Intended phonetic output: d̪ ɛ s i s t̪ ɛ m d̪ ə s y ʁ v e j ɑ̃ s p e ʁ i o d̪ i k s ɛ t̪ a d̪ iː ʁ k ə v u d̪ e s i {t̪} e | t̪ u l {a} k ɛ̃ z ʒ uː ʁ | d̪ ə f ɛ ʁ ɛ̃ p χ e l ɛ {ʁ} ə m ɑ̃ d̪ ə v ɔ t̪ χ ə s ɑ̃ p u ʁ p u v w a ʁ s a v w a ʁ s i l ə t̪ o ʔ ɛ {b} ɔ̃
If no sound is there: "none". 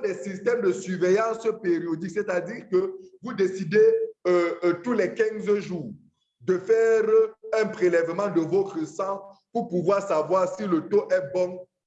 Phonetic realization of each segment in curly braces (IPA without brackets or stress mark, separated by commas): d̪, ɛ, v, b